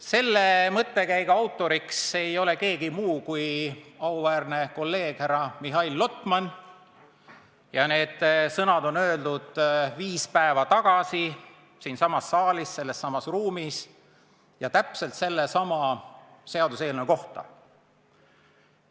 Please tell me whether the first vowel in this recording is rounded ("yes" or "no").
no